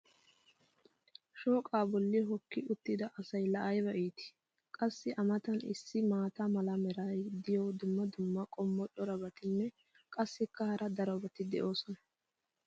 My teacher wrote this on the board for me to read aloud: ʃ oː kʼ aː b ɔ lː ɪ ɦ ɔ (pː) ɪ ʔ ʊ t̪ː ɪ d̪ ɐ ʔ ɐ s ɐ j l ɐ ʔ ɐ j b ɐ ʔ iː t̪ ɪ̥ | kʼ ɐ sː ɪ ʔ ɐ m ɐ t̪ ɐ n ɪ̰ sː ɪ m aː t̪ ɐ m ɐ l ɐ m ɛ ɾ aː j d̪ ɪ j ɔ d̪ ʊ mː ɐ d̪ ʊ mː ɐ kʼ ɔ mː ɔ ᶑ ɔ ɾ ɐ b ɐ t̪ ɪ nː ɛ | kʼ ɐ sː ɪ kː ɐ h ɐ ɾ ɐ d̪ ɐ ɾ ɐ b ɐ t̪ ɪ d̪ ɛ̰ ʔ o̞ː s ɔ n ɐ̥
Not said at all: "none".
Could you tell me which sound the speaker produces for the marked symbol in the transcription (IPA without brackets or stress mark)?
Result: kː